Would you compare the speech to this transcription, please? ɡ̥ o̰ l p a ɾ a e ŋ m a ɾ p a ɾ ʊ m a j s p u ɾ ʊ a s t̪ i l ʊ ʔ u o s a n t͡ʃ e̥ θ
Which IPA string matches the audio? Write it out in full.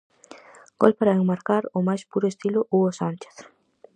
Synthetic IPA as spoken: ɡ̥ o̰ l p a ɾ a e ŋ m a ɾ k a ɾ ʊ m a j s p u ɾ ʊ e s t̪ i l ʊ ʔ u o s a n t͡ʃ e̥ θ